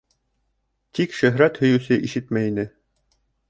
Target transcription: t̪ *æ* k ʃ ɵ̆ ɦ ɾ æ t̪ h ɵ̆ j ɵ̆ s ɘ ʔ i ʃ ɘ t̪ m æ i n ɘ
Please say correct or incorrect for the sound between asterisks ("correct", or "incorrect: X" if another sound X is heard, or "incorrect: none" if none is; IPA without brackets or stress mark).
incorrect: i